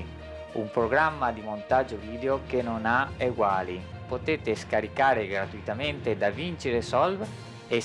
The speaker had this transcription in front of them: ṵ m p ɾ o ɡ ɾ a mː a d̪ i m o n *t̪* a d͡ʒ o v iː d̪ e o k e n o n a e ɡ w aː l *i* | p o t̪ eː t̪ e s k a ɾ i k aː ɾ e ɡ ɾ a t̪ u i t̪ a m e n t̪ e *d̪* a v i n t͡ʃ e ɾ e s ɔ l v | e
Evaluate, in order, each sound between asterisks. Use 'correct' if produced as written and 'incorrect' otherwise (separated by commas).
correct, correct, correct